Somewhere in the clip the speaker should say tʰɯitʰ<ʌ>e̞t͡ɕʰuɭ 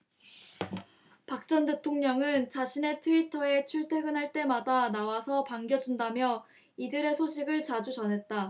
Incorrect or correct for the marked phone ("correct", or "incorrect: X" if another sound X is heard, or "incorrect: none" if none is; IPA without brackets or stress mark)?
correct